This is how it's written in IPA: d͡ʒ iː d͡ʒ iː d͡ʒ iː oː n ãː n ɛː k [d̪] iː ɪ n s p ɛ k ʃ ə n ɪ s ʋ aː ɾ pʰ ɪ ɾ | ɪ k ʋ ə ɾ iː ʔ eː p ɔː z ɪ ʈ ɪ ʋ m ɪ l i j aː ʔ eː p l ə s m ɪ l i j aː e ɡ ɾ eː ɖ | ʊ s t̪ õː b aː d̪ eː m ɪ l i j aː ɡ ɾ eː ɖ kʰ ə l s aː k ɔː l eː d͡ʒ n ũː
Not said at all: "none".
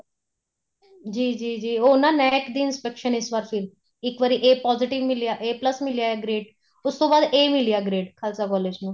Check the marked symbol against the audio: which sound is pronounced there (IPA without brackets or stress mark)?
d̪